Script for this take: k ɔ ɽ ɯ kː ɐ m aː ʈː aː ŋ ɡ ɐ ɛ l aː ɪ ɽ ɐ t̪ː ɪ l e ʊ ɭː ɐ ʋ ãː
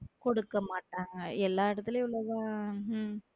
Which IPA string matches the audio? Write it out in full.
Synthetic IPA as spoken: k ɔ ɽ ɯ kː ɐ m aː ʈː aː ŋ ɡ ɐ ɛ lː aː ɪ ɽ ɐ t̪ː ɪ l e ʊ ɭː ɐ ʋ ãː